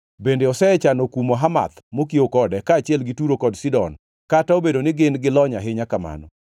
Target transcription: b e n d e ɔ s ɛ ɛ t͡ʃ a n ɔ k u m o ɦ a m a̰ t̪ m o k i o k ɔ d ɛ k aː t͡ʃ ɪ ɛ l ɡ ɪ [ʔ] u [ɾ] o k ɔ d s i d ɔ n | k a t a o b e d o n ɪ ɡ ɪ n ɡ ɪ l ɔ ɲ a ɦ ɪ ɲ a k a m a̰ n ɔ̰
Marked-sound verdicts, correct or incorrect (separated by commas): incorrect, correct